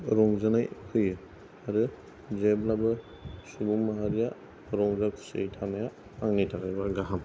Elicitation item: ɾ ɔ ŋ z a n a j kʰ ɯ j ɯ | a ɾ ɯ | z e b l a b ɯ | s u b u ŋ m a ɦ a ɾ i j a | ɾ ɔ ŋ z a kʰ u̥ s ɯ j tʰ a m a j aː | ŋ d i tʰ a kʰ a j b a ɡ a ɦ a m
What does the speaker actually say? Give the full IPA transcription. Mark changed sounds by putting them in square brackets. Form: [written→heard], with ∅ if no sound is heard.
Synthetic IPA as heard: ɾ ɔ ŋ z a n a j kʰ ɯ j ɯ | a ɾ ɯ | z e b l a b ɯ | s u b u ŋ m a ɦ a ɾ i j a | ɾ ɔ ŋ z a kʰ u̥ s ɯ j tʰ a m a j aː | ŋ [d→n] i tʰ a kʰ a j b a ɡ a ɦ a m